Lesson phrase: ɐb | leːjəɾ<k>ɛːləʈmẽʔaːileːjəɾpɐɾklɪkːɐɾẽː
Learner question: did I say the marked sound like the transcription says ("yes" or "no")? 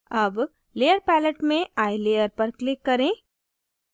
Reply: no